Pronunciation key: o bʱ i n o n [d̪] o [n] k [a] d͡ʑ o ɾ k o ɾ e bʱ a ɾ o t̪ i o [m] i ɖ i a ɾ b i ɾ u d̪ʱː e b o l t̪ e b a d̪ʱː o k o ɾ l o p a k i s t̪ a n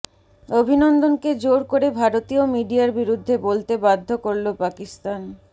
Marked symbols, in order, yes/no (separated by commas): yes, yes, no, yes